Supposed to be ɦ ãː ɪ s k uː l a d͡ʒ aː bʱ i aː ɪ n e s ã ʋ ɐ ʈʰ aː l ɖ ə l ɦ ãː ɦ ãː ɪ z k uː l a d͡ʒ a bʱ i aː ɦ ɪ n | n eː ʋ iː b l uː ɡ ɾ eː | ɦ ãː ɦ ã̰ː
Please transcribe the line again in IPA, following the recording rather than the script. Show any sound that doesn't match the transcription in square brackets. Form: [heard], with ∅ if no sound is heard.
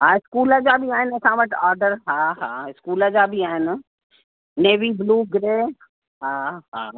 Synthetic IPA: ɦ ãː ɪ s k uː l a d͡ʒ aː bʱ i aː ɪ n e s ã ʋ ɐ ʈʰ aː [ɾ] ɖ ə [ɾ] ɦ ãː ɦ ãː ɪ [s] k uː l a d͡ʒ a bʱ i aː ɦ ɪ n | n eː ʋ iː b l uː ɡ ɾ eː | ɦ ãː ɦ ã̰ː